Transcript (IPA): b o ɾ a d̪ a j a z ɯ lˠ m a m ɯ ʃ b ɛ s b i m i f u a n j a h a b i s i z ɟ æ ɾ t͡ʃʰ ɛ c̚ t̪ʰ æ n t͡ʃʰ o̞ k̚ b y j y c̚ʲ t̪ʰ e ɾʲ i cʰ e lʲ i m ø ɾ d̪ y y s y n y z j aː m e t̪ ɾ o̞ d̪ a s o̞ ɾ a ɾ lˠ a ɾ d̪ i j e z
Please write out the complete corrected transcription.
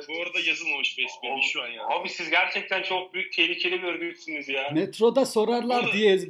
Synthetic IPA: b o ɾ a d̪ a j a z ɯ lˠ m a m ɯ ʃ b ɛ s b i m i ʃ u a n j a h a b i s i z ɟ æ ɾ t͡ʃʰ ɛ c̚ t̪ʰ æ n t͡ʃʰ o̞ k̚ b y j y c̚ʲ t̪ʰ e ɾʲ i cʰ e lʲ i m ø ɾ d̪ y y s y n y z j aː m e t̪ ɾ o̞ d̪ a s o̞ ɾ a ɾ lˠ a ɾ d̪ i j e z